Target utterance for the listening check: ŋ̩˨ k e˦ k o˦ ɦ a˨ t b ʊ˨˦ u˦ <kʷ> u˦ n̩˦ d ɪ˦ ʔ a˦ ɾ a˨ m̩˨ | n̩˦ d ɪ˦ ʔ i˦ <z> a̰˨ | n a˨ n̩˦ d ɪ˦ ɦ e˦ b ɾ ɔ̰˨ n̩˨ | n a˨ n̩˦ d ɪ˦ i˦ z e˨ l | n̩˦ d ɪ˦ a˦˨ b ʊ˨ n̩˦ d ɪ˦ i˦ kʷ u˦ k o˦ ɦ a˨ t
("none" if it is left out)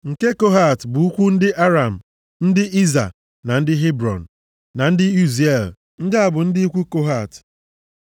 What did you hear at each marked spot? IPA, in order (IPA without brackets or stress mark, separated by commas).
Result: kʷ, z